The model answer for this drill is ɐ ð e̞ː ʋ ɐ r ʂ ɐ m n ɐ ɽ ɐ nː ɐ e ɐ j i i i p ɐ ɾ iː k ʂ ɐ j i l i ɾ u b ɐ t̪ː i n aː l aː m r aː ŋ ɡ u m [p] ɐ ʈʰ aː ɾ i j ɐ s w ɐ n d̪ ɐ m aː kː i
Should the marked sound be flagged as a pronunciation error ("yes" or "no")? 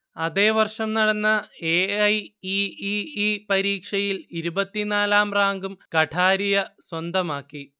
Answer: yes